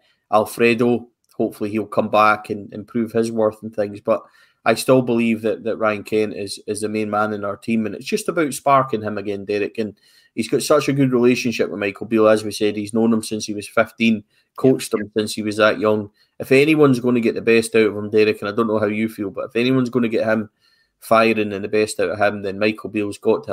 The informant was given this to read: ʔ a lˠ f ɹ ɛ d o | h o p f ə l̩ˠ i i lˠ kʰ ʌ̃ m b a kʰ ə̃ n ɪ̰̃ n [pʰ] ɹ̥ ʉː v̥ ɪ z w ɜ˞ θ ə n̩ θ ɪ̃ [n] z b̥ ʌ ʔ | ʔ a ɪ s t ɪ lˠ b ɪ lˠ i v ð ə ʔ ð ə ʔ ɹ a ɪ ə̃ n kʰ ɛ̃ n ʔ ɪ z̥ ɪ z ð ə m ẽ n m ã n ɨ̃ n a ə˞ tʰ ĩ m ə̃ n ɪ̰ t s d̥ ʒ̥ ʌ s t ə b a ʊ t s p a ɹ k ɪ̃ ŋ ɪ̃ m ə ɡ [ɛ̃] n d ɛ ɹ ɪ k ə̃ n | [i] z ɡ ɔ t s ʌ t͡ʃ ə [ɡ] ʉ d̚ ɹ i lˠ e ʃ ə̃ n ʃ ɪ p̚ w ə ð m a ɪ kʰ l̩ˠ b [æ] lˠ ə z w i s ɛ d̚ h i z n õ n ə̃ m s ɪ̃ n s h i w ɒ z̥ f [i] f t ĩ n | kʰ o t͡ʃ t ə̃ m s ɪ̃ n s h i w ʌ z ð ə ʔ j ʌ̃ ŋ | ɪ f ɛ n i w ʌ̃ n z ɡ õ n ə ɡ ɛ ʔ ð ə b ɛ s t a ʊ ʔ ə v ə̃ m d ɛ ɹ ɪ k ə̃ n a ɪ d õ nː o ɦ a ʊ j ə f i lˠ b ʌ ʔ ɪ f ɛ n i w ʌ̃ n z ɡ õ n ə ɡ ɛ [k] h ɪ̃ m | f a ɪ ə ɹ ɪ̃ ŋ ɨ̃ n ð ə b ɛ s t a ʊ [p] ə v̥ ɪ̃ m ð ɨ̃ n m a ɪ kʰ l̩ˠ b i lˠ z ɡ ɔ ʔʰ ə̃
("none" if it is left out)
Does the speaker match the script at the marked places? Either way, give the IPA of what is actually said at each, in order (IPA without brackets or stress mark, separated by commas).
pʰ, ŋ, ɛ̃, i, ɡ, i, ɪ, ʔ, ʔ